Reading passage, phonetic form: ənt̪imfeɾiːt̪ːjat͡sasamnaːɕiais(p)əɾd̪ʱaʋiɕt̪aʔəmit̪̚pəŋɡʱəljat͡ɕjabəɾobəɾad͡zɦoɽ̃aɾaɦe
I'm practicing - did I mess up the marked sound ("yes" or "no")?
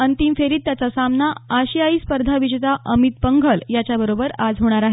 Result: no